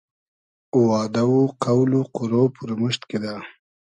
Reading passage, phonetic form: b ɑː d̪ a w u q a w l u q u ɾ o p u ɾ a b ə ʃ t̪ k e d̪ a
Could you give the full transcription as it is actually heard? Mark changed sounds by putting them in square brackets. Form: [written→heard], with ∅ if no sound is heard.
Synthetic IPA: [b→w] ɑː d̪ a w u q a w l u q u ɾ o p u ɾ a [b→m] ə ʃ t̪ k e d̪ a